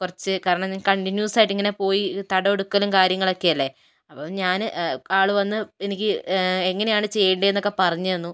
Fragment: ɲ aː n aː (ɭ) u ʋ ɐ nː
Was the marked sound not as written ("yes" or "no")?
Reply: no